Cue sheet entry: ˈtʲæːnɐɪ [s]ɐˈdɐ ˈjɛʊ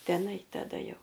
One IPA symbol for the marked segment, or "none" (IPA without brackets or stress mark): t